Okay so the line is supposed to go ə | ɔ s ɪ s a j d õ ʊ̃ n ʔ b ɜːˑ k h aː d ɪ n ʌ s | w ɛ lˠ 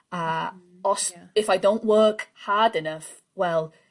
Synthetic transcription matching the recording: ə | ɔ s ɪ f a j d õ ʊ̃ n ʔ w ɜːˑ k h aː d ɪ n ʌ f | w ɛ lˠ